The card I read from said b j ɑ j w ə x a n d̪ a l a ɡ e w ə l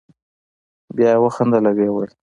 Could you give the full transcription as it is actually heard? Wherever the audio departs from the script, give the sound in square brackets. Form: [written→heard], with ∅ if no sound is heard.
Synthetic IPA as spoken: b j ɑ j w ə x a n d̪ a l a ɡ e w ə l